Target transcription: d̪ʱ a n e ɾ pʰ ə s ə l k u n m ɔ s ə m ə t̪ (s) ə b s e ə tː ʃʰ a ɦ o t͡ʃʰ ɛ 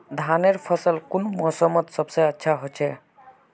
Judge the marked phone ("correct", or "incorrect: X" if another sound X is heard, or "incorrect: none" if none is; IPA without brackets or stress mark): correct